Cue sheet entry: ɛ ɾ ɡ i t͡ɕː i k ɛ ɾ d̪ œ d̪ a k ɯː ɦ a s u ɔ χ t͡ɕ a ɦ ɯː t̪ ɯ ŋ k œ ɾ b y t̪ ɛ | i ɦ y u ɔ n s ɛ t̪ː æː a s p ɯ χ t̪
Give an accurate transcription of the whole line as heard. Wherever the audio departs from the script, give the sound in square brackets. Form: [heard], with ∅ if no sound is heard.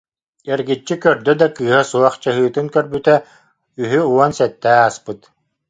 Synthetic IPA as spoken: ɛ ɾ ɡ i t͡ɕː i k [œ] ɾ d̪ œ d̪ a k ɯː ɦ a s u ɔ χ t͡ɕ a ɦ ɯː t̪ ɯ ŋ k œ ɾ b y t̪ ɛ | [y] ɦ y u ɔ n s ɛ t̪ː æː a s p ɯ [∅] t̪